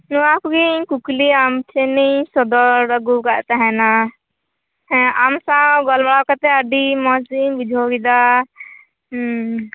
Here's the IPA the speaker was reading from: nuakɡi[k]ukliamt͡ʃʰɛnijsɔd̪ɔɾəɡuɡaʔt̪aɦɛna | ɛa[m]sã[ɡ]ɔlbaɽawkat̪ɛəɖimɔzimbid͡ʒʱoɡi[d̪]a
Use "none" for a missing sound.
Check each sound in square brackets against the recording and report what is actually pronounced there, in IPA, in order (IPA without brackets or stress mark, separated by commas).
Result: k, m, ɡ, d̪